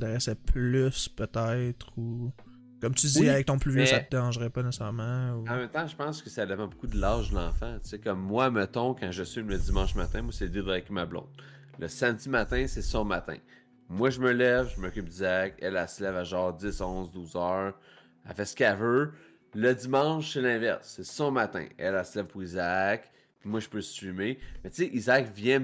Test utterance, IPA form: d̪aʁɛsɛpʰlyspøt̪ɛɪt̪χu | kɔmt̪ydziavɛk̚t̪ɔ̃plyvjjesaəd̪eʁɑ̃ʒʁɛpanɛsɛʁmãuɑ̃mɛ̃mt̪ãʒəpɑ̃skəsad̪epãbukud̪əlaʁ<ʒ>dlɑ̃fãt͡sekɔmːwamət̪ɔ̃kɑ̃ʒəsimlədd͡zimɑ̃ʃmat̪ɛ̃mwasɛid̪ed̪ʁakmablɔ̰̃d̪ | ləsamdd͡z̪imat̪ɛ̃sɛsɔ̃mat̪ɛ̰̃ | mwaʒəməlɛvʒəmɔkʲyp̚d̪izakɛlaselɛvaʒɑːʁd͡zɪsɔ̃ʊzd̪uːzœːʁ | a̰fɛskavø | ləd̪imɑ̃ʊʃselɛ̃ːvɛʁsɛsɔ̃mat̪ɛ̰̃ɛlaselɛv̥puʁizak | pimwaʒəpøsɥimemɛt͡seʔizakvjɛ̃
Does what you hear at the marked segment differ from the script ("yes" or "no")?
no